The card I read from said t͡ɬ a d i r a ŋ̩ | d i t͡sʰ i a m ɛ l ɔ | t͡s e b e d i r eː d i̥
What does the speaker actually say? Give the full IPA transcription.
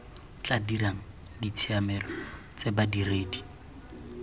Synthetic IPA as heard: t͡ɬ a d i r a ŋ̩ | d i t͡sʰ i a m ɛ l ɔ | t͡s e b a d i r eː d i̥